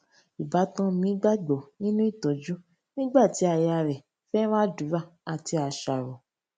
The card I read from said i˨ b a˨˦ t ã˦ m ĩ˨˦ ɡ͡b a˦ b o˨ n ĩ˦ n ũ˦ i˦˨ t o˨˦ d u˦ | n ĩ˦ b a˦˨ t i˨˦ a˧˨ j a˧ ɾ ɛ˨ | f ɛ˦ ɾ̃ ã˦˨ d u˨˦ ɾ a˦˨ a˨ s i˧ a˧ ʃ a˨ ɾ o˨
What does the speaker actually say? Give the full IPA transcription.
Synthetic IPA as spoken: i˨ b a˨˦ t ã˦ m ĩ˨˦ ɡ͡b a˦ ɡ͡b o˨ n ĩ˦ n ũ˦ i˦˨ t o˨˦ d͡ʒ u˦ | n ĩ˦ ɡ͡b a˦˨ t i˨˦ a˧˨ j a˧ ɾ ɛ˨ | f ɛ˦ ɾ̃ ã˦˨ d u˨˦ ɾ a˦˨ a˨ t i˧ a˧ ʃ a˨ ɾ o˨